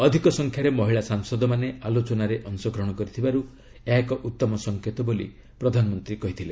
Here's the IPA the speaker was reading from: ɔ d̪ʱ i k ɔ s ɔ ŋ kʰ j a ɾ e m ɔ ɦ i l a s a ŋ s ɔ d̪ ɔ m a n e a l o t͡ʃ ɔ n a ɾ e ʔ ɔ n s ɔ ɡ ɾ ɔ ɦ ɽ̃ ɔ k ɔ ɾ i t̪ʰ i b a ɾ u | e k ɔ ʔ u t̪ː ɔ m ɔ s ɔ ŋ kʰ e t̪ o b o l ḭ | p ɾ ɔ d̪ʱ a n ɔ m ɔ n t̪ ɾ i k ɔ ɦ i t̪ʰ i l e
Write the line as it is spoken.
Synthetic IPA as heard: ɔ d̪ʱ i k ɔ s ɔ ŋ kʰ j a ɾ e m ɔ ɦ i ɭ a s a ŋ s ɔ d̪ ɔ m a n e a l o t͡ʃ ɔ n a ɾ e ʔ ɔ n s ɔ ɡ ɾ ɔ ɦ ɽ̃ ɔ k ɔ ɾ i t̪ʰ i b a ɾ u | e k ɔ ʔ u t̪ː ɔ m ɔ s ɔ ŋ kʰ e t̪ ɔ b o l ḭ | p ɾ ɔ d̪ʱ a n ɔ m ɔ n t̪ ɾ i k ɔ ɦ i t̪ʰ i l e